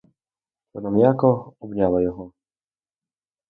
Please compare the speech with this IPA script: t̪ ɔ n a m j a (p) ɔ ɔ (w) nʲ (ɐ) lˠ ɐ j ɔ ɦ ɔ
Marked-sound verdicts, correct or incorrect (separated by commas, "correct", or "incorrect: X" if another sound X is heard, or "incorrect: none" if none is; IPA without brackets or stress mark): incorrect: k, incorrect: b, incorrect: a